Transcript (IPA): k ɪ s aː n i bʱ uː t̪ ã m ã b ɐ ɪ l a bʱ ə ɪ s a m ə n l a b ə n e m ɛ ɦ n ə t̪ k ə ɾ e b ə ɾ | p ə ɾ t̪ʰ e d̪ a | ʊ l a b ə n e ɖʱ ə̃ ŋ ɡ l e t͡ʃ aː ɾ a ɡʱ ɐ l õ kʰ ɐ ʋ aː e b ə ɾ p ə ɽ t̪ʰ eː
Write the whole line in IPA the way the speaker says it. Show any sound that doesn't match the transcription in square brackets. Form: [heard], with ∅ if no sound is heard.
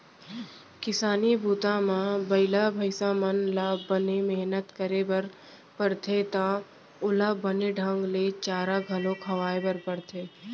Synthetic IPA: k ɪ s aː n i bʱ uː t̪ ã m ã b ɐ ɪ l a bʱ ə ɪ s a m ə n l a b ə n e m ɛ ɦ n ə t̪ k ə ɾ e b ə ɾ | p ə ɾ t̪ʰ e [t̪] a | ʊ l a b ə n e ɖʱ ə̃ ŋ ɡ l e t͡ʃ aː ɾ a ɡʱ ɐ l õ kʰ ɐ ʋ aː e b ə ɾ p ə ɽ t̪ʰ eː